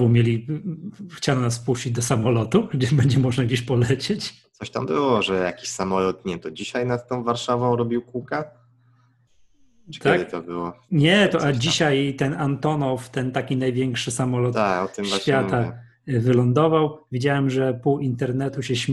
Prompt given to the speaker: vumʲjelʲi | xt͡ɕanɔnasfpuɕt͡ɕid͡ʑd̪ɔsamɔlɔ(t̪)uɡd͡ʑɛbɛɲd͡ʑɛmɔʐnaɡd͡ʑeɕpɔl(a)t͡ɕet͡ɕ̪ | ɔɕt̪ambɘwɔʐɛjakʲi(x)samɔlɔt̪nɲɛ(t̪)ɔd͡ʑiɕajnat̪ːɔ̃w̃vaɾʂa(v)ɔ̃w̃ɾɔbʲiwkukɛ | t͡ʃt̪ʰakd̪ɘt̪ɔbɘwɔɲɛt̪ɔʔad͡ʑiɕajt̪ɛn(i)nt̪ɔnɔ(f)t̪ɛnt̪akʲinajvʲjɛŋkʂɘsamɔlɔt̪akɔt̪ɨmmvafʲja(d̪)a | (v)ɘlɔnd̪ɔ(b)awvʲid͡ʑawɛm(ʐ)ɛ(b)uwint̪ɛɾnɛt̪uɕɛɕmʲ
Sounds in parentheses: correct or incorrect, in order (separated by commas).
correct, incorrect, incorrect, correct, correct, incorrect, correct, incorrect, correct, incorrect, correct, incorrect